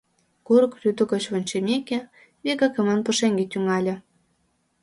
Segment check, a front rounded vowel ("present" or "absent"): present